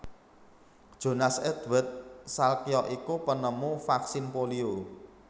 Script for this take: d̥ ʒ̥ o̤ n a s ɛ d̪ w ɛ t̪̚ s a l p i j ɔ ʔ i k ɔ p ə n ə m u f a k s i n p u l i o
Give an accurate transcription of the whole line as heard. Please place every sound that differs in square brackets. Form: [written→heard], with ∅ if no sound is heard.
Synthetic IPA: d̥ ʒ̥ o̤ n a s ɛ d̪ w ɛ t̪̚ s a l [p→k] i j ɔ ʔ i k [ɔ→u] p ə n ə m u f a k s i n p [u→o] l i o